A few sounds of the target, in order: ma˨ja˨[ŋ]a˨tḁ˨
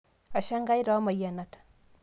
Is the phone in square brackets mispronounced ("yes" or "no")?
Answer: yes